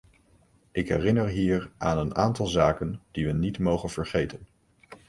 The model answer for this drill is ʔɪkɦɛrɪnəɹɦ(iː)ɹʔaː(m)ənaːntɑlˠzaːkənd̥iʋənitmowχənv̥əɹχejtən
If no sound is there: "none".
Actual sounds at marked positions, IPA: iː, n

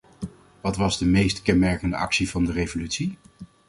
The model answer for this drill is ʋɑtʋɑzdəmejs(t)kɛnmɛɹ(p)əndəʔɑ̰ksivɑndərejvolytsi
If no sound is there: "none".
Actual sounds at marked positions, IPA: t, k

